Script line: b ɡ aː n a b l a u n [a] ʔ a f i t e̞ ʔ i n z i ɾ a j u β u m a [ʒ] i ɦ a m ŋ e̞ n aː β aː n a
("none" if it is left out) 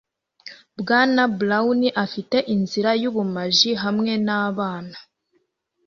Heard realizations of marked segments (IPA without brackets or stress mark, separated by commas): i, ʒ